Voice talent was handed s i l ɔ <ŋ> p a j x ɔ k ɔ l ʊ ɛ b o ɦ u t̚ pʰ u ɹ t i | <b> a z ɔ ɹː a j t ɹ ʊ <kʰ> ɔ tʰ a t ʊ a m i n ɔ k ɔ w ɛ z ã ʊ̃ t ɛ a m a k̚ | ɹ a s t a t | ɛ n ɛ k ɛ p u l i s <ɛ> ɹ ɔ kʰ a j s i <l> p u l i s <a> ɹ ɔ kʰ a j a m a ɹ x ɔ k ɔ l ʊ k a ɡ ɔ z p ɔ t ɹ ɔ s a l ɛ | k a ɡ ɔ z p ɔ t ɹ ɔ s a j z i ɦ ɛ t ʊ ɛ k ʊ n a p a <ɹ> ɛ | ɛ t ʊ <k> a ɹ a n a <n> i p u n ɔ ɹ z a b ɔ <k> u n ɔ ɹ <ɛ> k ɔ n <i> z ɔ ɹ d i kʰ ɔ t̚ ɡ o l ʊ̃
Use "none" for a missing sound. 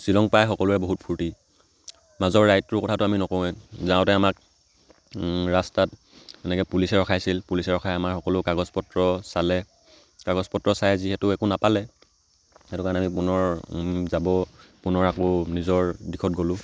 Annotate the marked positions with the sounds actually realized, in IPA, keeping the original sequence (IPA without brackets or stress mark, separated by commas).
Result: ŋ, m, k, ɛ, l, ɛ, l, k, m, p, a, i